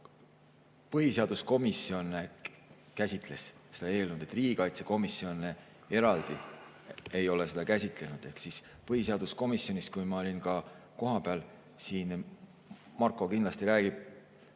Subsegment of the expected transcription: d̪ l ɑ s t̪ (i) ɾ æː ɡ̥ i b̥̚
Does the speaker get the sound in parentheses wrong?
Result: no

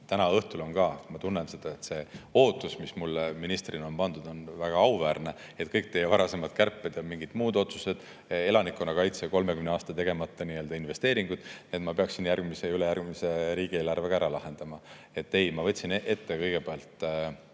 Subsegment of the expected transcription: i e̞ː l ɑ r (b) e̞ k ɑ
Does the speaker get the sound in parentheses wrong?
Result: yes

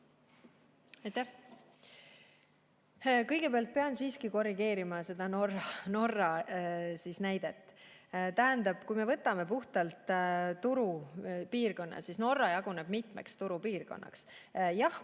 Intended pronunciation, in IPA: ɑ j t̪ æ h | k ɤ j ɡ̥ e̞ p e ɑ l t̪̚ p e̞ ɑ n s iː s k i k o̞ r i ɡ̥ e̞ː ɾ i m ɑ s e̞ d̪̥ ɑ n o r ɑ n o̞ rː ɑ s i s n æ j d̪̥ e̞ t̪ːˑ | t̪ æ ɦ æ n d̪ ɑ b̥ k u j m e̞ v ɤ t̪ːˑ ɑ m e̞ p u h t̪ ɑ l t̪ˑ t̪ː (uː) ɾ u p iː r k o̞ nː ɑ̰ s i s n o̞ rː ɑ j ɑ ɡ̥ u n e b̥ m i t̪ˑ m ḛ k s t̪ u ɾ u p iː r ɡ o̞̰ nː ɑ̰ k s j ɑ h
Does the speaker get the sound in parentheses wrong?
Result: yes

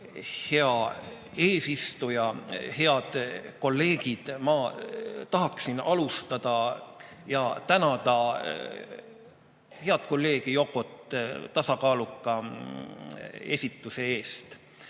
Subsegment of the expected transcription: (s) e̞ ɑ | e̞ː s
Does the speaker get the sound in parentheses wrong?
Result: yes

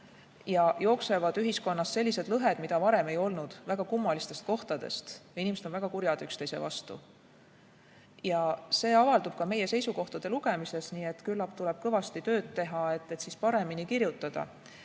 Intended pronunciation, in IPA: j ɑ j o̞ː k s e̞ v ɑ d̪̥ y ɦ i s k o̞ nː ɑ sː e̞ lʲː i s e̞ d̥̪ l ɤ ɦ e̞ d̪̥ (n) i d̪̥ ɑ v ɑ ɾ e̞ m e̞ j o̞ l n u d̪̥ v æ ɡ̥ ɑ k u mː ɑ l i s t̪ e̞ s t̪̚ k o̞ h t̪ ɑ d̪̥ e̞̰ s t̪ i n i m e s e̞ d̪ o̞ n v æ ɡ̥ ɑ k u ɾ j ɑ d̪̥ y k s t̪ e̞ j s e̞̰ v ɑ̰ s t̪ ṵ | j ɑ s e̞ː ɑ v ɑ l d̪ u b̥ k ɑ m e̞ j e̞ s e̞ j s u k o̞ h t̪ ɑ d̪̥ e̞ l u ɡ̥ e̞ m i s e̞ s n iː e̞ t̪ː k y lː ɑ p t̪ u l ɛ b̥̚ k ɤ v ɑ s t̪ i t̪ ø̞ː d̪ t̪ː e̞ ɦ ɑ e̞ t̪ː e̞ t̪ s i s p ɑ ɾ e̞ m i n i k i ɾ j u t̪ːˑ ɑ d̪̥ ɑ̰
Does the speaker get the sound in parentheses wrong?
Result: yes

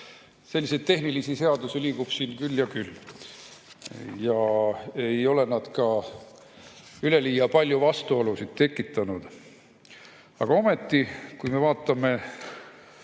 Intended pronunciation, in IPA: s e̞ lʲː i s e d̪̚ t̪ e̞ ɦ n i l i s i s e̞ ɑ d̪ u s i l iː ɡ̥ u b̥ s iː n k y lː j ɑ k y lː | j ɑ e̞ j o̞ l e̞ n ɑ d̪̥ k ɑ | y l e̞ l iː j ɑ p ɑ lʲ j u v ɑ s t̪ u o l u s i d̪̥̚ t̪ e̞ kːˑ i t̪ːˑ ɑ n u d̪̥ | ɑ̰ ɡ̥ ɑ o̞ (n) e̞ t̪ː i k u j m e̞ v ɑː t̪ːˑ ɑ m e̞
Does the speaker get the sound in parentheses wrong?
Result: yes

